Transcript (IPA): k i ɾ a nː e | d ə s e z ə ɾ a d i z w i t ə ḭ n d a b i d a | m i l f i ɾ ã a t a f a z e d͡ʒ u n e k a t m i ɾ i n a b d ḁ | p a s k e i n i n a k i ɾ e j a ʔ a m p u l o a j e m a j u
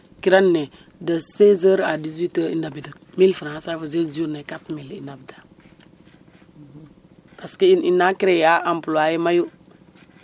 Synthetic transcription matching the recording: k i ɾ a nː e | d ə s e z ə ɾ a d i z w i t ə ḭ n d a b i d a | m i l f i ɾ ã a s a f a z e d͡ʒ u n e k a t m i l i n a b d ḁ | p a s k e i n i n a k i ɾ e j a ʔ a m p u l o a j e m a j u